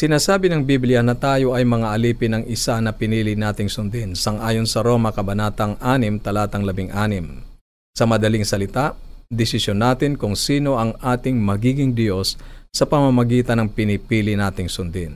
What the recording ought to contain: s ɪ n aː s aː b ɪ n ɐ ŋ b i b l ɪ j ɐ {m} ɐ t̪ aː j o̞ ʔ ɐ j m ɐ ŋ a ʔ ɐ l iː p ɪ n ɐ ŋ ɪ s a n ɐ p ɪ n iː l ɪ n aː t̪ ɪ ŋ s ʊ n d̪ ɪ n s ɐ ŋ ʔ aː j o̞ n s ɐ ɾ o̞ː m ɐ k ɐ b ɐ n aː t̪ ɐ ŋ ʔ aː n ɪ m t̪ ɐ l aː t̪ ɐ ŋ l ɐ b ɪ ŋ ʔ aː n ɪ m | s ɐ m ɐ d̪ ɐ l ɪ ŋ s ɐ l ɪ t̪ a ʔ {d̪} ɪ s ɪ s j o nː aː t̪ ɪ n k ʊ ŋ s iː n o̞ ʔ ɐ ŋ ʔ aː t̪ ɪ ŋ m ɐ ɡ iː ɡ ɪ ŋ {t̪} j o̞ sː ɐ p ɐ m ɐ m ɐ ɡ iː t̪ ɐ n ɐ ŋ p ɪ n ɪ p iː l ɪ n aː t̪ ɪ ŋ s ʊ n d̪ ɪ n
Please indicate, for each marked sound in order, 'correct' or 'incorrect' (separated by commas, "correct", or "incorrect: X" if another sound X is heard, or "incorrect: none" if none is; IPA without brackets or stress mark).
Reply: incorrect: n, correct, incorrect: d̪